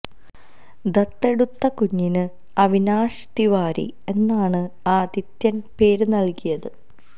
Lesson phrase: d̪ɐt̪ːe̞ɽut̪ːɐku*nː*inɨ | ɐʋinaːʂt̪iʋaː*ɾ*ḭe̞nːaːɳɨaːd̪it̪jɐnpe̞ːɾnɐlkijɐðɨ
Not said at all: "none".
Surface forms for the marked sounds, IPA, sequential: ɲː, ɾ

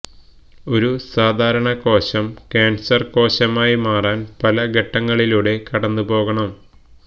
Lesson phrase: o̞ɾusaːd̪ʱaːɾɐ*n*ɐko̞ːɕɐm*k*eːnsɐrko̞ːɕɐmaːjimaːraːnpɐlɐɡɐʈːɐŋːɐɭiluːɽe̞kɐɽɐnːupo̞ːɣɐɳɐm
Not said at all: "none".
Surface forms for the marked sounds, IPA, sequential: ɳ, k

